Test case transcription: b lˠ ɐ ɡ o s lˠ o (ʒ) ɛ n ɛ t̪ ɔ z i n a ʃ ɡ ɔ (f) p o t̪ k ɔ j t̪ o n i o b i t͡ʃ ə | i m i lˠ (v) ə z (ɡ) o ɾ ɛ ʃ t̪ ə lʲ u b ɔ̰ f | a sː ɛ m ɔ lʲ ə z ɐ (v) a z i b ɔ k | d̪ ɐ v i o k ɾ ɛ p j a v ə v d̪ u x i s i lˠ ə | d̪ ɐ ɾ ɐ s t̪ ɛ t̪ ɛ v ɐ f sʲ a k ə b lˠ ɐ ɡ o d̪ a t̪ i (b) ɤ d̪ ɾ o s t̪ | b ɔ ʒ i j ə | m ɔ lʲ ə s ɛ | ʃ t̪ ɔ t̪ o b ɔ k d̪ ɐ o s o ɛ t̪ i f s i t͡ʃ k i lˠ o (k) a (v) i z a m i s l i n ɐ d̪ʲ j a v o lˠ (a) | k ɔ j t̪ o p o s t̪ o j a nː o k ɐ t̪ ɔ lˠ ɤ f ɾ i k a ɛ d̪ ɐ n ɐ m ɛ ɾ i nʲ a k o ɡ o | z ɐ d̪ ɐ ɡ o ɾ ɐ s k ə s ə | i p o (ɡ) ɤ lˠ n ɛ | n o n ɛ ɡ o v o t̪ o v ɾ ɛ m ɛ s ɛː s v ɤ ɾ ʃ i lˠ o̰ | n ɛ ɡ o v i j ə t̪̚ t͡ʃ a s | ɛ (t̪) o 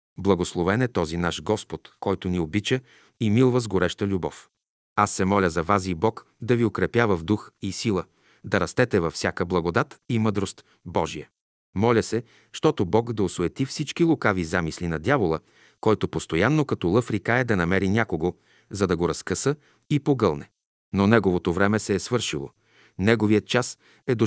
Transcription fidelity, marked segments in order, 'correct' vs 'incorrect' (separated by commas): incorrect, incorrect, correct, correct, correct, incorrect, correct, correct, incorrect, correct, incorrect